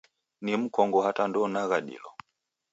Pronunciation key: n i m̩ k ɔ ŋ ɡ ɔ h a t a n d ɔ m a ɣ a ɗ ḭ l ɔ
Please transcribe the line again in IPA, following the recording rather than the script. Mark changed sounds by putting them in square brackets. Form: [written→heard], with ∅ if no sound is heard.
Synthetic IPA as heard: n i m̩ k ɔ ŋ ɡ ɔ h a t a n d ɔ [m→n] a ɣ a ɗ ḭ l ɔ

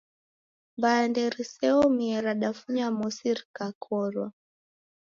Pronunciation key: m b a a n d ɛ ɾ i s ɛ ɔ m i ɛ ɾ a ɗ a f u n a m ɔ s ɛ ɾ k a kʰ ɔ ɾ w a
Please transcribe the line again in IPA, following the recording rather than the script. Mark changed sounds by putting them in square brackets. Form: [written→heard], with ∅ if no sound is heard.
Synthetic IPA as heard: m b a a n d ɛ ɾ i s ɛ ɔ m i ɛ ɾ a ɗ a f u [n→ɲ] a m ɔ s [ɛ→i] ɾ k a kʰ ɔ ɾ w a

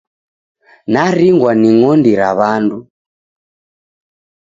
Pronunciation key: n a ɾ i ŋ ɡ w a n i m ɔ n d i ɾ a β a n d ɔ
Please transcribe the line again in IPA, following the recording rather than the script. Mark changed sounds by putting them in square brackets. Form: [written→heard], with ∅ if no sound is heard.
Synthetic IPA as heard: n a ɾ i ŋ ɡ w a n i [m→ŋ] ɔ n d i ɾ a β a n d [ɔ→u]

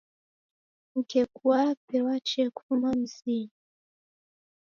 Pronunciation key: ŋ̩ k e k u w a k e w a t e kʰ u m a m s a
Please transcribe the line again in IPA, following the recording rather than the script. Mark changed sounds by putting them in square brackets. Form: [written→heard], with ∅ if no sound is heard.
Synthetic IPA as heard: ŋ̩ k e k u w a [k→p] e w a [t→t͡ʃ] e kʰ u m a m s [a→i]

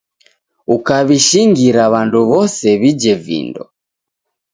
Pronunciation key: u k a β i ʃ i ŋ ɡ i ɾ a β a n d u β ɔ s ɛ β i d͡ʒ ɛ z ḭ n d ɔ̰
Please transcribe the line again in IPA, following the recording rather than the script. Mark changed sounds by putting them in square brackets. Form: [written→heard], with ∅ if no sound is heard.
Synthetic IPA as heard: u k a β i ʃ i ŋ ɡ i ɾ a β a n d u β ɔ s ɛ β i d͡ʒ ɛ [z→v] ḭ n d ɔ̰

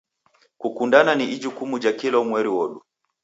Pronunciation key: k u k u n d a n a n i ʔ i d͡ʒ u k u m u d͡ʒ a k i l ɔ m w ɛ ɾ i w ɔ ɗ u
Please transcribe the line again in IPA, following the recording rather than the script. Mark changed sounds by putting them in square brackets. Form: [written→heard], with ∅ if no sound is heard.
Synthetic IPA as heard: k u k u n d a n a n i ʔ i d͡ʒ u k u m u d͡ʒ a k i l ɔ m w ɛ ɾ i w ɔ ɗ u

